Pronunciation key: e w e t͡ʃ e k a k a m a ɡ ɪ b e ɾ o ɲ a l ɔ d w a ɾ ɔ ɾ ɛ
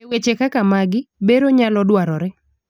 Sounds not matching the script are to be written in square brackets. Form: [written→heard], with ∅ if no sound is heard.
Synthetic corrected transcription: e w e t͡ʃ e k a k a m a ɡ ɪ b e ɾ o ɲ a l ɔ d w a ɾ ɔ ɾ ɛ